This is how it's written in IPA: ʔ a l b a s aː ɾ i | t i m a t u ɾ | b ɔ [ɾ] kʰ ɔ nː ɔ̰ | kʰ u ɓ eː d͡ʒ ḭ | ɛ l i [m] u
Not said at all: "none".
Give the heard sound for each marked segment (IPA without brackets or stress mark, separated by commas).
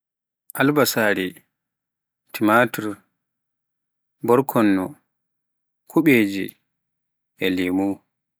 ɾ, m